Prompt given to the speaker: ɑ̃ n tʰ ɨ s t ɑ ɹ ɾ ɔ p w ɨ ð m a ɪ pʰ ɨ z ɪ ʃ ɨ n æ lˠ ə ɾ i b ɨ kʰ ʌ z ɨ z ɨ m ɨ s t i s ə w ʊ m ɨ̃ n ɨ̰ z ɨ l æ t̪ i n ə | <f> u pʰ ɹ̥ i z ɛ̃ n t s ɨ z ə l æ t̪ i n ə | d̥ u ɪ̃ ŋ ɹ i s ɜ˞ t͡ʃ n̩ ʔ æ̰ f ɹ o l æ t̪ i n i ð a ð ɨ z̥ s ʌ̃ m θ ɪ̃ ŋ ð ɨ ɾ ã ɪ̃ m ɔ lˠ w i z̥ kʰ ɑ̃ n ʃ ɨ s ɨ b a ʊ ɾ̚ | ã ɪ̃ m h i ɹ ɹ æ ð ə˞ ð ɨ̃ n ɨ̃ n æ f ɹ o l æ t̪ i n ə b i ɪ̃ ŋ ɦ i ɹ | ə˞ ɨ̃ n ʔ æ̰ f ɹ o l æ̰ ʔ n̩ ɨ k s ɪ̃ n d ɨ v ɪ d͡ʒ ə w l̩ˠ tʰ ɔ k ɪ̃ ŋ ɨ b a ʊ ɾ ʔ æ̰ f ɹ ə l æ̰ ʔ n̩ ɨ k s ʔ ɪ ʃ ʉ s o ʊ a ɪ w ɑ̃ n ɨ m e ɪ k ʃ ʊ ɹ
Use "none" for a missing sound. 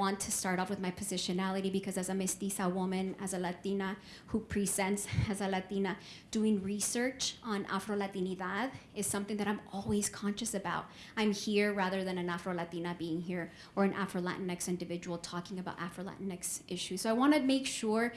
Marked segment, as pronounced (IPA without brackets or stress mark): h